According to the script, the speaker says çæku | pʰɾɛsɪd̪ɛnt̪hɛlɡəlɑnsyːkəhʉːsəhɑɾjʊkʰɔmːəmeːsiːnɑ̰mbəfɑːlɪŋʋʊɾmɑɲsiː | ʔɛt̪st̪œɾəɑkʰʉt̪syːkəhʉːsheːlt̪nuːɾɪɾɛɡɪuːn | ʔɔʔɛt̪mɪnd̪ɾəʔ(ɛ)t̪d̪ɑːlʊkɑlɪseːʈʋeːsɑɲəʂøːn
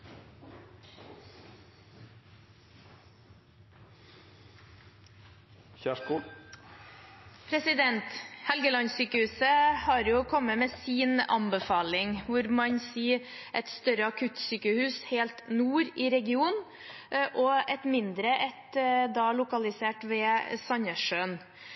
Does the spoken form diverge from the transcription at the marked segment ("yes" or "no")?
no